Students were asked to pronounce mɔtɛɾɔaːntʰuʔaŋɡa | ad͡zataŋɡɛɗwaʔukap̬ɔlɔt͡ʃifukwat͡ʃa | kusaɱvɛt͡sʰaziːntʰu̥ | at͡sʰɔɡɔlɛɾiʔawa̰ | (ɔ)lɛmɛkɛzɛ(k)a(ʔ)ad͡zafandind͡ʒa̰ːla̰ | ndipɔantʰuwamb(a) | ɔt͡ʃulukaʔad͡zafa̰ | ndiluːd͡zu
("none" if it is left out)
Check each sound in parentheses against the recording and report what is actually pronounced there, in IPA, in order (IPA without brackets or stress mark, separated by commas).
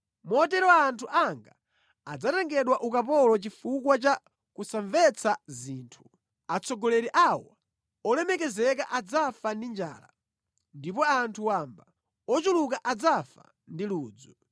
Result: ɔ, k, ʔ, a